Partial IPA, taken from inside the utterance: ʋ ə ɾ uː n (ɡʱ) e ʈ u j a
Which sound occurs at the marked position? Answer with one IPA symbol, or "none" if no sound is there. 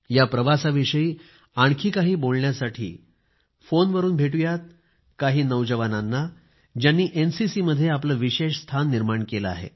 bʱ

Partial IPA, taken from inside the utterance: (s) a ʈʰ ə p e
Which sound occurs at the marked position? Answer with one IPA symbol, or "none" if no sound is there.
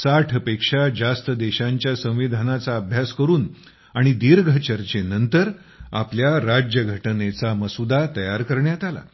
s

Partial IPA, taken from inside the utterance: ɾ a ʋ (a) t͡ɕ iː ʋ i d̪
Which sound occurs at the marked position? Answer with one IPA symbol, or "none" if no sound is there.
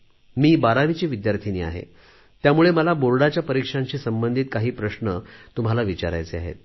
i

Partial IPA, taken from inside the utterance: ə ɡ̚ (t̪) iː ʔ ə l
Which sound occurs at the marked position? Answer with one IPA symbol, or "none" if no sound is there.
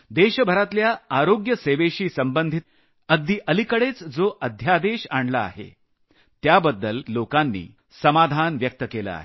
d̪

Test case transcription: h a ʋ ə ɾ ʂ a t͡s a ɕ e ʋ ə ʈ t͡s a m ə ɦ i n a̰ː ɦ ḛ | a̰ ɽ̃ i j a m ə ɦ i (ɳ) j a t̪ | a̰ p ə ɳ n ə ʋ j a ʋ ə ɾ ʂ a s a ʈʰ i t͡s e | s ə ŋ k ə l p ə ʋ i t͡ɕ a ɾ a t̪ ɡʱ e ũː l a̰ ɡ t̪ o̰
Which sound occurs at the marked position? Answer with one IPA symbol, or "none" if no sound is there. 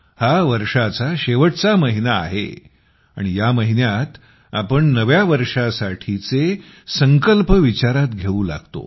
n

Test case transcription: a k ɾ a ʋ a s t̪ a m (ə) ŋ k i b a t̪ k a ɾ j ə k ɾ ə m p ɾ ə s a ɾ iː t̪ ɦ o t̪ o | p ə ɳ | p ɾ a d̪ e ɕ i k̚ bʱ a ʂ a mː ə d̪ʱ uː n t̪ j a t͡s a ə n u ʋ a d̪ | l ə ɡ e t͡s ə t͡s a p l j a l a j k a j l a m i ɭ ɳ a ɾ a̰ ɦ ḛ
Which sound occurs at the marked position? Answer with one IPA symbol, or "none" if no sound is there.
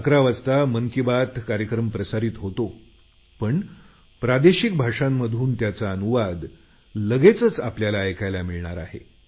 ə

